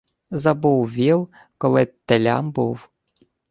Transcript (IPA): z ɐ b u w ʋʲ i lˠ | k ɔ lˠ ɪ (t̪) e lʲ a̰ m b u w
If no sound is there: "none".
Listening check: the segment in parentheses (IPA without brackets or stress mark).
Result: t̪